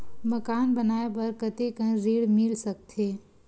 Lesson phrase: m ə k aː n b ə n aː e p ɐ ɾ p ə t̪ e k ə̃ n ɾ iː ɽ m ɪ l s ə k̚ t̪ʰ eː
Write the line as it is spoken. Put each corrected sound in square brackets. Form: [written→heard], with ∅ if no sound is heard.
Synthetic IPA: m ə k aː n b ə n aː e p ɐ ɾ [p→k] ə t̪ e k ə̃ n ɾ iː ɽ m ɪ l s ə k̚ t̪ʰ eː